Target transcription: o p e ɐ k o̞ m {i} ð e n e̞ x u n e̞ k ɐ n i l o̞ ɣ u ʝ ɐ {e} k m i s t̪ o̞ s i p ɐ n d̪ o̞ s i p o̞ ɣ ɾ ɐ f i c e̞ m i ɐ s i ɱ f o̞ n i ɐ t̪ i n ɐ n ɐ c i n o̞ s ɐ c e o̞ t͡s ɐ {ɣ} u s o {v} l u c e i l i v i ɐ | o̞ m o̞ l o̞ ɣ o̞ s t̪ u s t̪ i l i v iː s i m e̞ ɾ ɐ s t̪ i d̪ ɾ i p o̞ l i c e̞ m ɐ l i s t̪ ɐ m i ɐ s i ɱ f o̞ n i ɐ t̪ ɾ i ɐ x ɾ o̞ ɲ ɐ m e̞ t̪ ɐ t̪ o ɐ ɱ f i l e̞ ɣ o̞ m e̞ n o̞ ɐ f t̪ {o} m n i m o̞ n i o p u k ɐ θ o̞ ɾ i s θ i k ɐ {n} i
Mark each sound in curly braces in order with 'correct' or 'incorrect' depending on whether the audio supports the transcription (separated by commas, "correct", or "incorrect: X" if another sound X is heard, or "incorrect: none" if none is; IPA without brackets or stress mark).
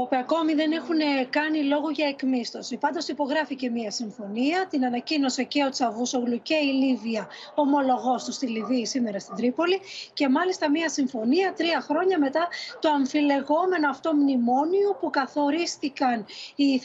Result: correct, correct, incorrect: v, incorrect: ɣ, correct, correct